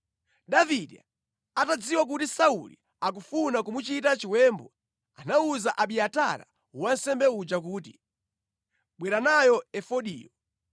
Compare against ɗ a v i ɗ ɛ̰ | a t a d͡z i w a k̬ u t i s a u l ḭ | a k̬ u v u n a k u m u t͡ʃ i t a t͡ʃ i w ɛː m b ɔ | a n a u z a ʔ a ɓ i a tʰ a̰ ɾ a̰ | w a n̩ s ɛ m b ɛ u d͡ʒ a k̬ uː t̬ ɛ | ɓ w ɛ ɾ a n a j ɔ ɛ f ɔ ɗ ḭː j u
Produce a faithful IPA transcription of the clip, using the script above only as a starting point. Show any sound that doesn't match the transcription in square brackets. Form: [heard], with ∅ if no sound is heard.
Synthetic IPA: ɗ a v i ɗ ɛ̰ | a t a d͡z i w a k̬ u t i s a u l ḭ | a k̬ u [f] u n a k u m u t͡ʃ i t a t͡ʃ i w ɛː m b ɔ | a n a u z a ʔ a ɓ i a [t] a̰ ɾ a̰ | w a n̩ s ɛ m b ɛ u d͡ʒ a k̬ uː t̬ [i] | ɓ w ɛ ɾ a n a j ɔ ɛ f ɔ ɗ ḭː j [ɔ]